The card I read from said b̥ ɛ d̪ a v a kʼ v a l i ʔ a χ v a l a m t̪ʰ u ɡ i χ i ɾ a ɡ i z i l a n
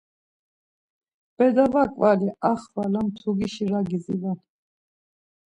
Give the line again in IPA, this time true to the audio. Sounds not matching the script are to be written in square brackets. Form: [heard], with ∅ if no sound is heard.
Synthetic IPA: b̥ ɛ d̪ a v a kʼ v a l i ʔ a χ v a l a m t̪ʰ u ɡ i [ʃ] i ɾ a ɡ i z i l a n